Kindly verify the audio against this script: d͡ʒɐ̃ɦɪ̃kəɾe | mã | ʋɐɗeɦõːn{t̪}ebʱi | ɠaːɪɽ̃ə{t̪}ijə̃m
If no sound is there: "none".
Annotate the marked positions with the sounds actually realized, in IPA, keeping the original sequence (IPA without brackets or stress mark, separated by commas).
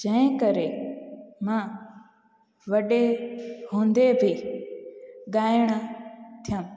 d̪, t̪ʰ